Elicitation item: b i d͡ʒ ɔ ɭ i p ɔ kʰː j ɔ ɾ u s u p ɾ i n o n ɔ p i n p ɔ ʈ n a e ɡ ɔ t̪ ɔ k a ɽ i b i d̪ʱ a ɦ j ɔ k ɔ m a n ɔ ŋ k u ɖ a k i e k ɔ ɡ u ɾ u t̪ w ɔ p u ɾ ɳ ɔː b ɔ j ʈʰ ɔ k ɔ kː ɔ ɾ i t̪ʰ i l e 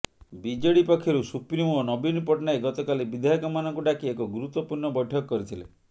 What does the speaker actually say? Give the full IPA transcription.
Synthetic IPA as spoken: b i d͡ʒ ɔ ɽ i p ɔ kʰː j ɔ ɾ u s u p ɾ i m o n ɔ b i n p ɔ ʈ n a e ɡ ɔ t̪ ɔ k a l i b i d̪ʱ a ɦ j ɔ k ɔ m a n ɔ ŋ k u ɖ a k i e k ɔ ɡ u ɾ u t̪ w ɔ p u ɾ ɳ ɔ b ɔ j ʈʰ ɔ k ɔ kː ɔ ɾ i t̪ʰ i l e